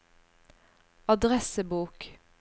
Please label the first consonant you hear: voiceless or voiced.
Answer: voiced